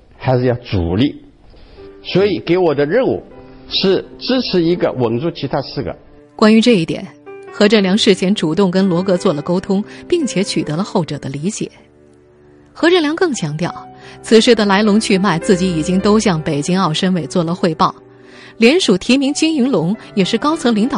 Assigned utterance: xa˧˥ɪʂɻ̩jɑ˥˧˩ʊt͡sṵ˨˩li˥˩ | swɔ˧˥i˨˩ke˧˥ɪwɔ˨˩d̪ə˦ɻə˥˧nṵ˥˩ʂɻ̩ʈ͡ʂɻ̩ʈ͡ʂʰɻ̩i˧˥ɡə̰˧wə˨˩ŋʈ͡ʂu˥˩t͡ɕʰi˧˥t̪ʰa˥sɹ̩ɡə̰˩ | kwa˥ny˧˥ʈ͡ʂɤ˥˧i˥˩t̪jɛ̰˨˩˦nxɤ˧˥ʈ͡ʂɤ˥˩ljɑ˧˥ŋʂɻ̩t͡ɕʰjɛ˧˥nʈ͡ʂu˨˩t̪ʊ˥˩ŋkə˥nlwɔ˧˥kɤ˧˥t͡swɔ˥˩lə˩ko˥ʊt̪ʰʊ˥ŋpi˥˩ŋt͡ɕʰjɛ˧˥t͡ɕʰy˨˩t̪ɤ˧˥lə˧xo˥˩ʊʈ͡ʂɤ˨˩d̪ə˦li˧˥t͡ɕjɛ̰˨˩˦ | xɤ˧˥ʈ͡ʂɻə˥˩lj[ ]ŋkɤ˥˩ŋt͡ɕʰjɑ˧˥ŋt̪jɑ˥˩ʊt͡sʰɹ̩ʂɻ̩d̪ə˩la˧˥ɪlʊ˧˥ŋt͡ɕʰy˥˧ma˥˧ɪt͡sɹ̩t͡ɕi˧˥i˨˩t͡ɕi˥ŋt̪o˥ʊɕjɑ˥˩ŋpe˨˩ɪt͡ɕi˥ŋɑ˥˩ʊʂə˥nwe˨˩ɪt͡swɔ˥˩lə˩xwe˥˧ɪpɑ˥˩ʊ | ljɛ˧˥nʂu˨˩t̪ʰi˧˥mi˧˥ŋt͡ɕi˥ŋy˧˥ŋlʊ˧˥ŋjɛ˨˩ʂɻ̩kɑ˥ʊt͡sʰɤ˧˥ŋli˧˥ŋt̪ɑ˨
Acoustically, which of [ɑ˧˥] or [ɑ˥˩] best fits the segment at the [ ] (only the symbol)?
ɑ˧˥